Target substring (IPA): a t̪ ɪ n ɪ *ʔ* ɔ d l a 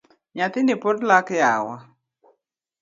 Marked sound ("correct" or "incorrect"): incorrect